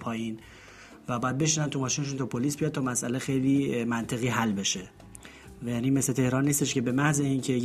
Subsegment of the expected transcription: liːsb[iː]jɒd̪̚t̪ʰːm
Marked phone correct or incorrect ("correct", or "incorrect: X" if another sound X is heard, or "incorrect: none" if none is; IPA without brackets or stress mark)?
incorrect: i